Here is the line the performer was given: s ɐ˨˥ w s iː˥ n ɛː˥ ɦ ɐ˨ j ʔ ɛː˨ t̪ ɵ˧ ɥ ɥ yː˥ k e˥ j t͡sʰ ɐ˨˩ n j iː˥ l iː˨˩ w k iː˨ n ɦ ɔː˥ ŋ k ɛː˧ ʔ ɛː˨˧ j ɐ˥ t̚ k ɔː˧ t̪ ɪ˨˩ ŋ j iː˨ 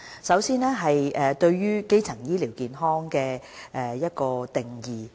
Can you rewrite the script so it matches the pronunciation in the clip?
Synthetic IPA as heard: s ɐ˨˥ w s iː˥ n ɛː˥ ɦ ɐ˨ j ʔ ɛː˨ t̪ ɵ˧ ɥ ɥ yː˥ k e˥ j t͡sʰ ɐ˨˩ ŋ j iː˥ l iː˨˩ w k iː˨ n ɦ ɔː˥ ŋ k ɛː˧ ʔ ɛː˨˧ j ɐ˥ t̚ k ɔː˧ t̪ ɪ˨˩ ŋ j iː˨